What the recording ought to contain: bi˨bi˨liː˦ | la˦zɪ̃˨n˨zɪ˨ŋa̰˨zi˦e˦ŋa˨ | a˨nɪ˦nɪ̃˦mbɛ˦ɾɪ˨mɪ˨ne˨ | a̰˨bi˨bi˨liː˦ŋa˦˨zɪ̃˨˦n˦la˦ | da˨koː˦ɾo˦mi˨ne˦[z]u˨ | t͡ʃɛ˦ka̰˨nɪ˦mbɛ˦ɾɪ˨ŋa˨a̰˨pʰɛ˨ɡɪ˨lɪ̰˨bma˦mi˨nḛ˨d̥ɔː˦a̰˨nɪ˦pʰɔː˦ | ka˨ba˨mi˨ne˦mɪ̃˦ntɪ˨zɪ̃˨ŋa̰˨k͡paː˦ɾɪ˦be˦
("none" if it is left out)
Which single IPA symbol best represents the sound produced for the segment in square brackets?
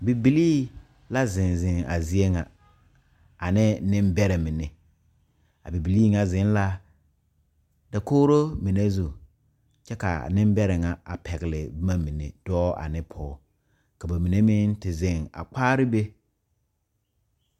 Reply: z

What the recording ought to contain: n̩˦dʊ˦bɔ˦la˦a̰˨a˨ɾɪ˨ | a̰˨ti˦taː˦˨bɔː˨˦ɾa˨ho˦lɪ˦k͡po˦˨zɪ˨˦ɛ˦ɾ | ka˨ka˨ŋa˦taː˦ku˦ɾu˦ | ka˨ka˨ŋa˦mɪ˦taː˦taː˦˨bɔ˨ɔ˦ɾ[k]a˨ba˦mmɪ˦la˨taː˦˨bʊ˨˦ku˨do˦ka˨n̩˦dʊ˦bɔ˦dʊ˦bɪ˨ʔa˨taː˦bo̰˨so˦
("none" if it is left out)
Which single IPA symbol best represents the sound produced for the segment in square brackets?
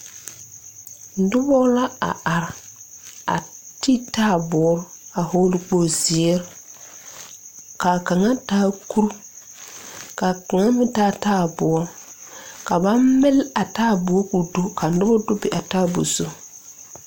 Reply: k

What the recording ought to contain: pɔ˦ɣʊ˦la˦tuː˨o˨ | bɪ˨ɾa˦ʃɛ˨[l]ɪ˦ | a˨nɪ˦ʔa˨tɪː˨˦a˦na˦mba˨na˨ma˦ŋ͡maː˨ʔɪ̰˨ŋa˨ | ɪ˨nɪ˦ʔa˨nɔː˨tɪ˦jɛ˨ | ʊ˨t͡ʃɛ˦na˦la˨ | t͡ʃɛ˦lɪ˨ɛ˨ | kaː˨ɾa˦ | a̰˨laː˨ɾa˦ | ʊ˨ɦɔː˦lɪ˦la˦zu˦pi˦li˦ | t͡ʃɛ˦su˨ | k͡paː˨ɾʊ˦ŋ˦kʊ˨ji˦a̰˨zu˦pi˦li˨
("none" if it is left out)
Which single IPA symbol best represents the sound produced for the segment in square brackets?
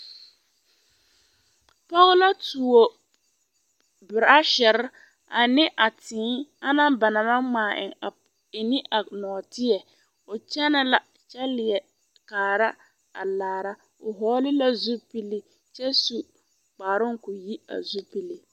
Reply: ɾ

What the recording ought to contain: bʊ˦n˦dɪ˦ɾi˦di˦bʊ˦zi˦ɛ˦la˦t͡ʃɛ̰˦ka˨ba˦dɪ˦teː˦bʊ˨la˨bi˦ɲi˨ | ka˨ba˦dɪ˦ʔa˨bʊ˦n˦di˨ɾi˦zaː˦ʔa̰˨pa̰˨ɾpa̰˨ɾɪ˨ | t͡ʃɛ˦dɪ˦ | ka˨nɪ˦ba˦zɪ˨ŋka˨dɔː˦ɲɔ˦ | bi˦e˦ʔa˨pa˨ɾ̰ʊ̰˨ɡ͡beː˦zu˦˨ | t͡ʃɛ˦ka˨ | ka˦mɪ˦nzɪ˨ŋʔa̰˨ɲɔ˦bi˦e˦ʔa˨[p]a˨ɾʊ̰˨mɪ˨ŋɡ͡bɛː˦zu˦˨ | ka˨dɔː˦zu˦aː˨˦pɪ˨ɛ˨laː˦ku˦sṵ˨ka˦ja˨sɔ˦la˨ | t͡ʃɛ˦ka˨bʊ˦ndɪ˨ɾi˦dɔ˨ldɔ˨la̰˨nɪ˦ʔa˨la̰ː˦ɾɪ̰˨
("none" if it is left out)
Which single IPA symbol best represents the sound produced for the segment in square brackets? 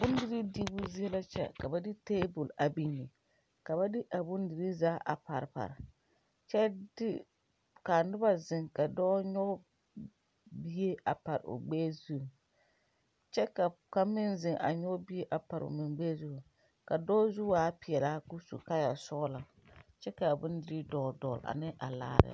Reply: p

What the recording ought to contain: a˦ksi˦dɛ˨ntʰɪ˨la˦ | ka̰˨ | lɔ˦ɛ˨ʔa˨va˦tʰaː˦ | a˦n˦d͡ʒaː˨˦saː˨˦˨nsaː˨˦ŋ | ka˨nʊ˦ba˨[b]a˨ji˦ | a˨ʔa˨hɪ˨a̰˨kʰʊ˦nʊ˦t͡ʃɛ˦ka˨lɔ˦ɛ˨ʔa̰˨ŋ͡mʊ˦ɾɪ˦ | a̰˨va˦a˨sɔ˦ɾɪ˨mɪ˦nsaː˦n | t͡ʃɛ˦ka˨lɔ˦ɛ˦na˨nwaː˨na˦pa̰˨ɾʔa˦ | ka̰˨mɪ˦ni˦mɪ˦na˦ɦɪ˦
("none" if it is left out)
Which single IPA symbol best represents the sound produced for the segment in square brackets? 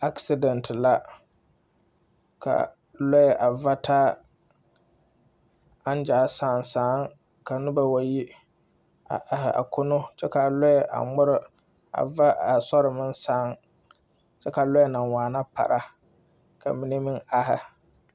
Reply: w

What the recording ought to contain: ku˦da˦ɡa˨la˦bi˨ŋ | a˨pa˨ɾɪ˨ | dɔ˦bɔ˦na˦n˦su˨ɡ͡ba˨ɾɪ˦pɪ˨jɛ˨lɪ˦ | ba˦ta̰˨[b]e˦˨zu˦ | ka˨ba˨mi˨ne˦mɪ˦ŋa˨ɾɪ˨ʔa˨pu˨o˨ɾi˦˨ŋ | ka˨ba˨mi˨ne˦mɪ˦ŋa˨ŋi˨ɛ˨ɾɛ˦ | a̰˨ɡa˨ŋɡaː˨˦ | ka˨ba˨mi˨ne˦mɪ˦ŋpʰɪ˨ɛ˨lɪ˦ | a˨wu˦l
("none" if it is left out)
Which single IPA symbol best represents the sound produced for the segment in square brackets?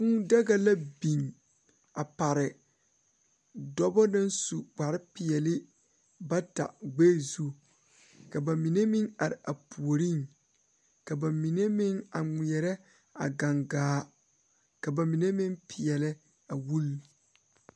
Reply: ɡ͡b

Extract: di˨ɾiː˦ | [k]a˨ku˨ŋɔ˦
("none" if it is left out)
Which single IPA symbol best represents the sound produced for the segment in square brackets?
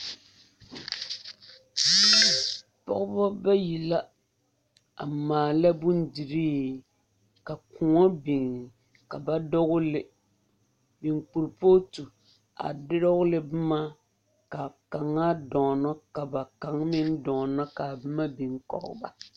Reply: k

